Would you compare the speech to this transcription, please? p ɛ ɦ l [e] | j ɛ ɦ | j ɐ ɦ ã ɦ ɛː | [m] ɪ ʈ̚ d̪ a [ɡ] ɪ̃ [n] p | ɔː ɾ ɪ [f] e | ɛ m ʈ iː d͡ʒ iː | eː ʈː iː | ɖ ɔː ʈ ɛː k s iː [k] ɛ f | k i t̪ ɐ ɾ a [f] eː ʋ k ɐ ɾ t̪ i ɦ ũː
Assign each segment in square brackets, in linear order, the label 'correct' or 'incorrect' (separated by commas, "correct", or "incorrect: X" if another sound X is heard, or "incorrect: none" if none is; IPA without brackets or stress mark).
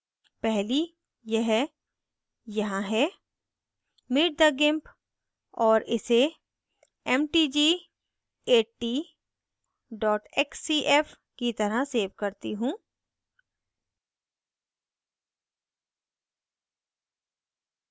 incorrect: i, correct, correct, incorrect: m, incorrect: s, incorrect: ʔ, incorrect: s